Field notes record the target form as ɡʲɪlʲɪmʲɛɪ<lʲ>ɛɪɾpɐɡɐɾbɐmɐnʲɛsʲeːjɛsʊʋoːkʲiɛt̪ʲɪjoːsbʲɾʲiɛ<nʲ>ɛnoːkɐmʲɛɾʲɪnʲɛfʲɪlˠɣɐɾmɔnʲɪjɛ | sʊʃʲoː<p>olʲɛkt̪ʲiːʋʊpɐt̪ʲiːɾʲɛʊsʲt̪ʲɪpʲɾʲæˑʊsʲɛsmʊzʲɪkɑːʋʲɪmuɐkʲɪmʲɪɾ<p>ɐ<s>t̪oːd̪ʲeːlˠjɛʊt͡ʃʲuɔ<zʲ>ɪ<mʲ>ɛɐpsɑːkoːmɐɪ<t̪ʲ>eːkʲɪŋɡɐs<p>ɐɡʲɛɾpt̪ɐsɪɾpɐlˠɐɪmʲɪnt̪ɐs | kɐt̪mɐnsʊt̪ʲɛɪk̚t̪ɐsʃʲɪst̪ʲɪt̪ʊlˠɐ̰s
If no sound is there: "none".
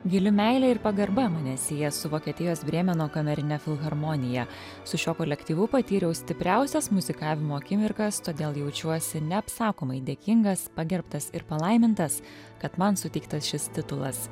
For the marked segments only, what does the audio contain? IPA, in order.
lʲ, mʲ, k, k, s, sʲ, nʲ, d̪ʲ, p

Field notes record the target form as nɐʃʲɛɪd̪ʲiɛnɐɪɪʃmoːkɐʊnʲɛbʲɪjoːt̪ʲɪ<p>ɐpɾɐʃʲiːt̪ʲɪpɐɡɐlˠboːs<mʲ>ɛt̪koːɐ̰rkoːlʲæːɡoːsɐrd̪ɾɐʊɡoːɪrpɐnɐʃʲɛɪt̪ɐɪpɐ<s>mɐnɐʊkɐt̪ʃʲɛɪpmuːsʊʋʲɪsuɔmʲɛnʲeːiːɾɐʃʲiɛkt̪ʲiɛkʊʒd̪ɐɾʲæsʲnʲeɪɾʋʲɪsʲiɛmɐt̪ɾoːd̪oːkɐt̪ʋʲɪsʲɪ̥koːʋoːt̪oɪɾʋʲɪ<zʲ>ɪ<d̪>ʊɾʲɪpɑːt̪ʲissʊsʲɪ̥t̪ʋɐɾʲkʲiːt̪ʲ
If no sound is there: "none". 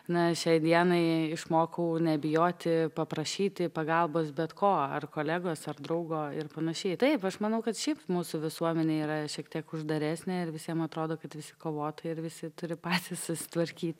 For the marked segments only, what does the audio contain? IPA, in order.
p, bʲ, ʃ, sʲ, t̪

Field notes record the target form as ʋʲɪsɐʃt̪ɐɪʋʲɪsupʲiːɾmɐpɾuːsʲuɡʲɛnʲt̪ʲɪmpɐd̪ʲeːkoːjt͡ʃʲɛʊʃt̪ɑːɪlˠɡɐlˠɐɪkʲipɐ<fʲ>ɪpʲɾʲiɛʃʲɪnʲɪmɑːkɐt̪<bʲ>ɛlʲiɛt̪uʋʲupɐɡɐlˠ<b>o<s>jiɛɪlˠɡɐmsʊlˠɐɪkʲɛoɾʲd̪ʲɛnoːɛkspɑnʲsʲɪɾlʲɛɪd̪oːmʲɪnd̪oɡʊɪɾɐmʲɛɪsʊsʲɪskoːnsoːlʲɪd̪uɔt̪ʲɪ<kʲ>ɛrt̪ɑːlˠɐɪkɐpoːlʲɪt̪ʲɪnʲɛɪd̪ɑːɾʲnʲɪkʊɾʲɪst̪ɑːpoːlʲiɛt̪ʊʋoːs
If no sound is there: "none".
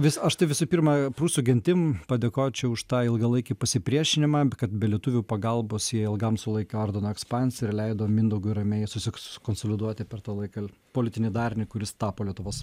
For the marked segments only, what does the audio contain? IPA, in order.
sʲ, bʲ, b, s, pʲ

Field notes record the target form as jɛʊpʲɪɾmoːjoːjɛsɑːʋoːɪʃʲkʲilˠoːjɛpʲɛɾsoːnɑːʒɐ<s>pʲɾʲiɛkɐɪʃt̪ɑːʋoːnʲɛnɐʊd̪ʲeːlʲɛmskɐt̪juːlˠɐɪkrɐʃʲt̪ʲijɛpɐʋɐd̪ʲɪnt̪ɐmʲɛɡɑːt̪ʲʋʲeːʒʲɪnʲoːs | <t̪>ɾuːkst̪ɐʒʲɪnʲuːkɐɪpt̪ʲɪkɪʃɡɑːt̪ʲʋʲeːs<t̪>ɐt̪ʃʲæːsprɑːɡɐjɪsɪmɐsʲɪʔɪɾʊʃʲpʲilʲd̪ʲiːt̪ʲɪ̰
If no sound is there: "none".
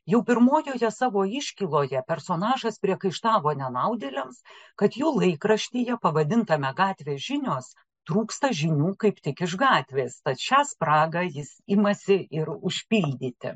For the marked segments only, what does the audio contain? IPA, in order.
s, t̪, t̪

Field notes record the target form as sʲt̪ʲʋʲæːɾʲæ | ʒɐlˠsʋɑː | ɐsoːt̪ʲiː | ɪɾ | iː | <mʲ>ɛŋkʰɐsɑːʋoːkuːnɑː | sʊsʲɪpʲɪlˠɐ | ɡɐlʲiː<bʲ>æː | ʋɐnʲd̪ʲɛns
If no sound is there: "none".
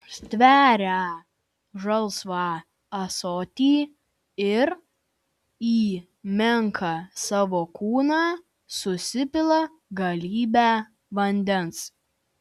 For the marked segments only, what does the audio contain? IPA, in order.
mʲ, bʲ

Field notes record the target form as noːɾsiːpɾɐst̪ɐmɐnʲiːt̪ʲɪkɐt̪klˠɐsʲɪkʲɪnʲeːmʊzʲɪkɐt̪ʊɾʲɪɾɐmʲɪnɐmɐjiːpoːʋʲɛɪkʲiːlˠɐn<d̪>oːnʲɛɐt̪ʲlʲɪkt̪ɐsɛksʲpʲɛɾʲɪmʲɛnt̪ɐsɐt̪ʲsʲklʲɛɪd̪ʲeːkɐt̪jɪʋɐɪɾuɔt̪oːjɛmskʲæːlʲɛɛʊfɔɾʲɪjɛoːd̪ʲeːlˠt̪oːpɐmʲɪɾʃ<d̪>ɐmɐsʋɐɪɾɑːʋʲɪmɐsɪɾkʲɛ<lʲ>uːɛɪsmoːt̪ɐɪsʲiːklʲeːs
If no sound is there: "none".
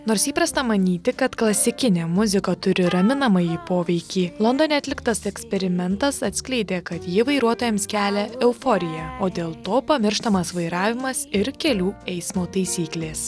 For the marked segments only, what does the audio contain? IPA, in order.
d̪, t̪, lʲ

